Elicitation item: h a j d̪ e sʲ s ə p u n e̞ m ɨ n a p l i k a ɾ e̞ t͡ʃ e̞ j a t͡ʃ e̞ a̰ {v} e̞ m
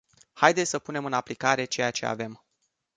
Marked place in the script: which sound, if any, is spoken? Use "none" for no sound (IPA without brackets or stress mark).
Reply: v